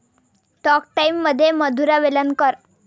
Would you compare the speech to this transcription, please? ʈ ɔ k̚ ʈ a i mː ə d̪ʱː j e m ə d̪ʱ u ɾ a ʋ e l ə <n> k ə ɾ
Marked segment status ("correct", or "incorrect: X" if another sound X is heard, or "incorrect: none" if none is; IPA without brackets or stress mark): correct